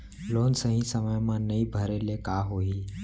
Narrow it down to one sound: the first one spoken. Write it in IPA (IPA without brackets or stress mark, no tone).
l